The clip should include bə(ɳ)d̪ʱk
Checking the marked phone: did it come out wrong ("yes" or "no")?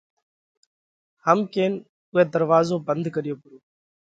yes